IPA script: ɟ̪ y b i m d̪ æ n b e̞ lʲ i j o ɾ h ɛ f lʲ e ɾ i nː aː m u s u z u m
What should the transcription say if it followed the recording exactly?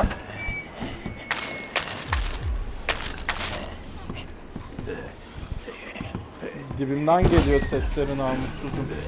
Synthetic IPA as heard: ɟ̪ i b i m d̪ æ n ɟ e̞ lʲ i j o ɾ s ɛ s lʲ e ɾ i n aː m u s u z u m